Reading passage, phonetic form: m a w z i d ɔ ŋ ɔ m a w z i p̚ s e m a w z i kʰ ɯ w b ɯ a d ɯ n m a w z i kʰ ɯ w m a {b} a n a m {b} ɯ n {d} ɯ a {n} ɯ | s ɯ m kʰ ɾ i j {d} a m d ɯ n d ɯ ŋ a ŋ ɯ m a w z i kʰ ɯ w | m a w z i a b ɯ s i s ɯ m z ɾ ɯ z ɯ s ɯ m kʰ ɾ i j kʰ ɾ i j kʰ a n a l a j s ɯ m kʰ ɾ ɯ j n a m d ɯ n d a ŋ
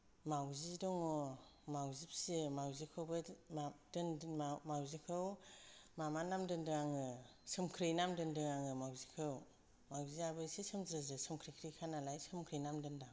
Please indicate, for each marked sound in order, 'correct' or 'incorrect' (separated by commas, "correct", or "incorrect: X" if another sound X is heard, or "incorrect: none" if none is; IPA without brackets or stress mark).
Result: incorrect: m, incorrect: d, correct, incorrect: ŋ, incorrect: n